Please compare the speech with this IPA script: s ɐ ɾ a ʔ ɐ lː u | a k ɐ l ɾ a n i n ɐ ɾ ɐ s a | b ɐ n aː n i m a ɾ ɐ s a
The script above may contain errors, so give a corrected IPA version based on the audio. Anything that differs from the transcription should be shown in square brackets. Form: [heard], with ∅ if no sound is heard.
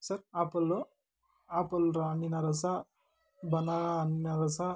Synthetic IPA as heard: s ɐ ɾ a [p] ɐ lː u | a [p] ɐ l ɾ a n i n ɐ ɾ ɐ s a | b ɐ n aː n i [n] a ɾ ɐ s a